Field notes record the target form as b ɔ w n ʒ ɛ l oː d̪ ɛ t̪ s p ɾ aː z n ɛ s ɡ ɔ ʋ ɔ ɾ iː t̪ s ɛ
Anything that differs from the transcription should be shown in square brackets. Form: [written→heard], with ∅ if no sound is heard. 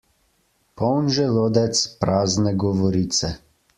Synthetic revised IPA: [b→p] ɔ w n ʒ ɛ l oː d̪ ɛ t̪ s p ɾ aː z n ɛ [s→∅] ɡ ɔ ʋ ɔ ɾ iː t̪ s ɛ